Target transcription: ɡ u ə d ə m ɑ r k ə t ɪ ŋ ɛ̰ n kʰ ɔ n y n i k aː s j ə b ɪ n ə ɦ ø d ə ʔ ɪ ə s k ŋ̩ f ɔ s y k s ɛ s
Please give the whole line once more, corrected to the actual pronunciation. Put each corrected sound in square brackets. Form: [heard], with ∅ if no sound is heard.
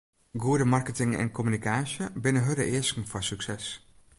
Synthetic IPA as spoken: ɡ u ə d ə m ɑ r k ə t ɪ ŋ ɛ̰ n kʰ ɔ [m] y n i k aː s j ə b ɪ n ə ɦ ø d ə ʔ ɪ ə s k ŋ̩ f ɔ s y k s ɛ s